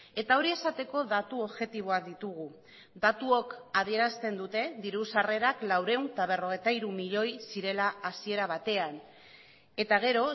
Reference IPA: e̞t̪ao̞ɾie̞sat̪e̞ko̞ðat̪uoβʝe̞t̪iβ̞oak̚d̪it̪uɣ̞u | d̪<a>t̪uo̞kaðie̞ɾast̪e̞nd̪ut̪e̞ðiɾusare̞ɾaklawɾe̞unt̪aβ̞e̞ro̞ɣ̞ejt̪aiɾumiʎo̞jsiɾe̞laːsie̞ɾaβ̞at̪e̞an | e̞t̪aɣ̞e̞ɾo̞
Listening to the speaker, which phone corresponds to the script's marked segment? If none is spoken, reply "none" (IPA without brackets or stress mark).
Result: a